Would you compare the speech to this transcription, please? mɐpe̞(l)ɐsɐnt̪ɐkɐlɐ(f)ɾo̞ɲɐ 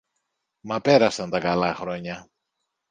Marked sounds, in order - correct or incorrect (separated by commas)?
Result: incorrect, incorrect